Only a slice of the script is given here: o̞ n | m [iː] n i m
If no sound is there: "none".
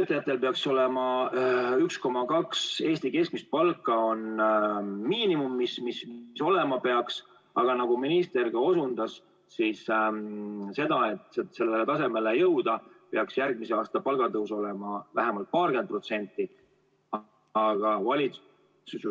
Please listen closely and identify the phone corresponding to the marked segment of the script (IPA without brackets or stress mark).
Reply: iː